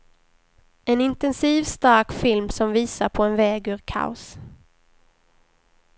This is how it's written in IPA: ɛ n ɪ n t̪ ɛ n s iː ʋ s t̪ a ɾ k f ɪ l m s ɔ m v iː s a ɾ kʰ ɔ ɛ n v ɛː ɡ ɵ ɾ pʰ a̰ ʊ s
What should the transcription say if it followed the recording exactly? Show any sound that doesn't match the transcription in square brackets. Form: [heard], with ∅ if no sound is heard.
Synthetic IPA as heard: ɛ n ɪ n t̪ ɛ n s iː [v] s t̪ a ɾ k f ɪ l m s ɔ m v iː s a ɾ [pʰ] ɔ ɛ n v ɛː ɡ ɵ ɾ [kʰ] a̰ ʊ s